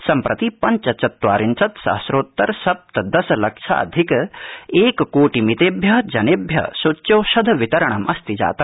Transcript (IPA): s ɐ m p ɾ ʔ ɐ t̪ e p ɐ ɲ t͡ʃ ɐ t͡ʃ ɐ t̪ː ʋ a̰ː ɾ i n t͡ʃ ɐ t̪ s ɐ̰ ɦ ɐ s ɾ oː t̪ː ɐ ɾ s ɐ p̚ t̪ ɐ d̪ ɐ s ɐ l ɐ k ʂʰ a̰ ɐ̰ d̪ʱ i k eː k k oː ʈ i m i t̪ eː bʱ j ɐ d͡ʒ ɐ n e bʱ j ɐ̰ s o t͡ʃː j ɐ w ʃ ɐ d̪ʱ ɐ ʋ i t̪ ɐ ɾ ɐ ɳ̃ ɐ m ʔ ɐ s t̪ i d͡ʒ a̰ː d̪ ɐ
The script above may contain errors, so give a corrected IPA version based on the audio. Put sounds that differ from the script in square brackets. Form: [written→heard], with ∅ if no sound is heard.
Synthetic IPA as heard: s ɐ m p ɾ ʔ ɐ t̪ [e→i] p ɐ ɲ t͡ʃ ɐ t͡ʃ ɐ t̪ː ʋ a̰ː ɾ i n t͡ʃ ɐ t̪ s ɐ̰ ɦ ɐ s ɾ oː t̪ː ɐ ɾ s ɐ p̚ t̪ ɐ d̪ ɐ s ɐ l ɐ k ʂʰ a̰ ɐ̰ d̪ʱ i k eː k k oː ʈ i m i t̪ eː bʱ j ɐ d͡ʒ ɐ n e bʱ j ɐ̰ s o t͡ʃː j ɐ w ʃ ɐ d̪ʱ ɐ ʋ i t̪ ɐ ɾ ɐ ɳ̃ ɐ m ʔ ɐ s t̪ i d͡ʒ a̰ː [d̪→t̪] ɐ